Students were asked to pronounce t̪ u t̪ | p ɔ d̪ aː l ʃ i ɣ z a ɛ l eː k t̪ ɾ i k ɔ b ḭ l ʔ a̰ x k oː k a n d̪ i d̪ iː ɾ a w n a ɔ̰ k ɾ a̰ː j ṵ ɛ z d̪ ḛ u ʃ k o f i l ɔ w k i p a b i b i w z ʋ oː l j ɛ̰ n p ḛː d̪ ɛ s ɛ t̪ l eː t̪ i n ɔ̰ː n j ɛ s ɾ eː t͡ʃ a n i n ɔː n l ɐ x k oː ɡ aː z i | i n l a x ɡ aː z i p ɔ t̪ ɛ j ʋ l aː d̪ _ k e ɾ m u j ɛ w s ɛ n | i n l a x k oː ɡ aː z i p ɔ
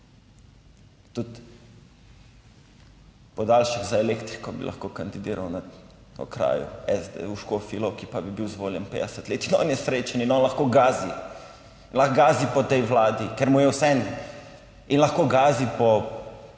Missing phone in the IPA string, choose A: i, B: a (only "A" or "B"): A